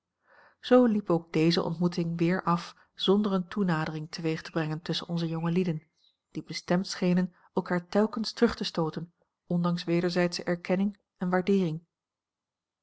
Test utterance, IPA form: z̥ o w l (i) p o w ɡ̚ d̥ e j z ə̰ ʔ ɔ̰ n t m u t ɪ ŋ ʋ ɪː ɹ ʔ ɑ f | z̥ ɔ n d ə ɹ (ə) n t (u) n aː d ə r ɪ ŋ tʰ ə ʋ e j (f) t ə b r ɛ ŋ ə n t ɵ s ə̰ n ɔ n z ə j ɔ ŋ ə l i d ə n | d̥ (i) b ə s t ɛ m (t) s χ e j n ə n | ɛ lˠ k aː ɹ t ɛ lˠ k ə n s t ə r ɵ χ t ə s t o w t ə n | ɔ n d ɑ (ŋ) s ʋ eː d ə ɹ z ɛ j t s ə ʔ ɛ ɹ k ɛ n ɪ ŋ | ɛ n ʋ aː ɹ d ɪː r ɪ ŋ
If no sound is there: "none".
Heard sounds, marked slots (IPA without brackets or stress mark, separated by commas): i, ə, u, χ, i, t, ŋ